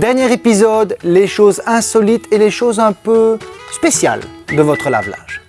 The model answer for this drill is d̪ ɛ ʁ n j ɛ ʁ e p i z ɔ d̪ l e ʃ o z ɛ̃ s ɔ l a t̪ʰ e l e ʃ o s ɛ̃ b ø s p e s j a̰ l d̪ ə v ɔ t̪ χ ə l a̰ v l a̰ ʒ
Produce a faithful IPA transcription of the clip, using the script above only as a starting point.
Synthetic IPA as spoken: d̪ ɛ ʁ n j ɛ ʁ e p i z ɔ d̪ l e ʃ o z ɛ̃ s ɔ l i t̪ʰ e l e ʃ o z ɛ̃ p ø s p e s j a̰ l d̪ ə v ɔ t̪ χ ə l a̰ v l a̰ ʒ